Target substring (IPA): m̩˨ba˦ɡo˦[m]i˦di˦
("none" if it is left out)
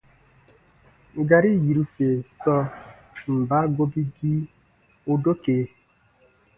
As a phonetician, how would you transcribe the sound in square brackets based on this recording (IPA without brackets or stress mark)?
b